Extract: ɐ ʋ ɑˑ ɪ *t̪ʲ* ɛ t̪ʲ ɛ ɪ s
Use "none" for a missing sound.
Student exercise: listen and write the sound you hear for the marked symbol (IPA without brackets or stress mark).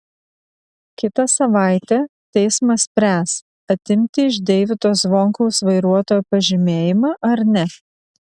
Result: t̪ʲ